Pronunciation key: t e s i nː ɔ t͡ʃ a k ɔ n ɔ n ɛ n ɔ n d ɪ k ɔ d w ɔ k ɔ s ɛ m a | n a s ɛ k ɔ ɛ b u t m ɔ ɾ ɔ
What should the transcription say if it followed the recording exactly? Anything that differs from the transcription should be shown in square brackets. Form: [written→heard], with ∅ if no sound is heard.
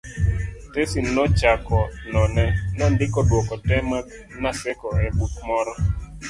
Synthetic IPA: t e s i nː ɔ t͡ʃ a k ɔ n ɔ n ɛ n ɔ n d ɪ k ɔ d w ɔ k ɔ [s→t] ɛ m a | n a s ɛ k ɔ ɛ b u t m ɔ ɾ ɔ

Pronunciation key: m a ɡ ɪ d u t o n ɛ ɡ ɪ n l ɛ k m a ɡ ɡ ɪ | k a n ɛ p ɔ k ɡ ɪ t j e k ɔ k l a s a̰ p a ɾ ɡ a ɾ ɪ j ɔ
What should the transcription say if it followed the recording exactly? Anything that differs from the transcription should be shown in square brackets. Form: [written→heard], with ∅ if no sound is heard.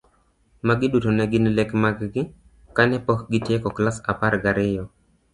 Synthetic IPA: m a ɡ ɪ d u t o n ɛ ɡ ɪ n l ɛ k m a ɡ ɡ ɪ | k a n ɛ p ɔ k ɡ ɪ t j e k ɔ k l a s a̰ p a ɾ ɡ a ɾ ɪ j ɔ

